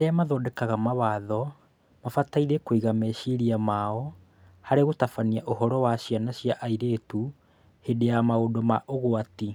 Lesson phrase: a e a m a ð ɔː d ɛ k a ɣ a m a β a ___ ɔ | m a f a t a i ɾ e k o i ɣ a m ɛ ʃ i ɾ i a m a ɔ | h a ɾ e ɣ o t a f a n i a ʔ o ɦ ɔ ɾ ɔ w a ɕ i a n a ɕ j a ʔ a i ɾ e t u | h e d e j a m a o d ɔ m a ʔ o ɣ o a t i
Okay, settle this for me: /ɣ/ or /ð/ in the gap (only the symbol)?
ð